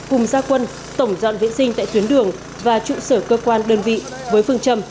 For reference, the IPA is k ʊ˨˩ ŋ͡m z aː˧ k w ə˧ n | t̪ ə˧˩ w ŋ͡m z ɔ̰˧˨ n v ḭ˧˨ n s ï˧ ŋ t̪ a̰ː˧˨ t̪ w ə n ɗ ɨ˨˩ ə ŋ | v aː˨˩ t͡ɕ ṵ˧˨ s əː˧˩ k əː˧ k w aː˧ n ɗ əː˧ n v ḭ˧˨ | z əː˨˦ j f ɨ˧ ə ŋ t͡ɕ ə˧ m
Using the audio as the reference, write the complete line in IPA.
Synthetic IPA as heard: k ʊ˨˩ ŋ͡m z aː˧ k w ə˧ n | t̪ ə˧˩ w ŋ͡m z ɔ̰˧˨ n v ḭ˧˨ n s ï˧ ŋ t̪ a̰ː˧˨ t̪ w ə n ɗ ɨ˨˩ ə ŋ | v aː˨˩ t͡ɕ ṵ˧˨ s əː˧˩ k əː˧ k w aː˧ n ɗ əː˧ n v ḭ˧˨ | v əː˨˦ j f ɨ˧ ə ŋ t͡ɕ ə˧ m